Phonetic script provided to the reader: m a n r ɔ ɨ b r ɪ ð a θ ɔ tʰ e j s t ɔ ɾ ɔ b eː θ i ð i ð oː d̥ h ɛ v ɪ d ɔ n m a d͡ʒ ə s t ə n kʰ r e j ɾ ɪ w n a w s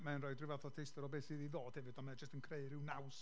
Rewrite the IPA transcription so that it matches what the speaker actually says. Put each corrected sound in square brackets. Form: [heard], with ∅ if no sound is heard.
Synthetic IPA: m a n r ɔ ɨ [d] r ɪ [v] a θ ɔ tʰ e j s t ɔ ɾ ɔ b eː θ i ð i ð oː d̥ h ɛ v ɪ d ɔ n m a d͡ʒ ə s t ə n kʰ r e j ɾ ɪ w n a w s